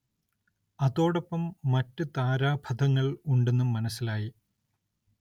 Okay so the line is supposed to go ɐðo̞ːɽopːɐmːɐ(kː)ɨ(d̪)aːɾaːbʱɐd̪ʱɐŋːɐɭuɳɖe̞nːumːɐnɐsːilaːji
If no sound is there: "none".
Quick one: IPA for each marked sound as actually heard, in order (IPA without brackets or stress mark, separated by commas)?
tː, t̪